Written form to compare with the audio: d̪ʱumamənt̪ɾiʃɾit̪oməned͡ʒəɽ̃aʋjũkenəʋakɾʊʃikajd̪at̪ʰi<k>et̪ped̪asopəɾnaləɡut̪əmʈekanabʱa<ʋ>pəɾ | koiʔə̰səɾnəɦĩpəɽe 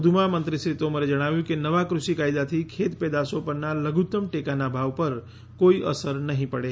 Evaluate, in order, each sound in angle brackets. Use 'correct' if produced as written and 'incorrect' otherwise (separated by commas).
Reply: incorrect, correct